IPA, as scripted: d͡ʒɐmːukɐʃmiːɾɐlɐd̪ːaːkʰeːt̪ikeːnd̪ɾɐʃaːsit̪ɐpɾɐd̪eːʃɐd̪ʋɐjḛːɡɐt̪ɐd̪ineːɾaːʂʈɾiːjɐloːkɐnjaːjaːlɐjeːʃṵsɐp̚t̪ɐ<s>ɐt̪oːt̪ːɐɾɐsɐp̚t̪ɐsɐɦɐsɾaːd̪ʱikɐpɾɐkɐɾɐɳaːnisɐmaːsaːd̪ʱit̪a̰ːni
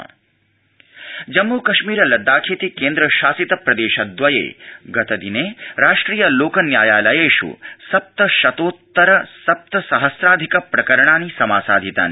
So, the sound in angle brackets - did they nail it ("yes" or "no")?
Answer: no